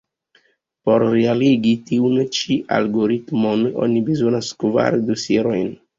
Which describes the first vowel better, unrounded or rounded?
rounded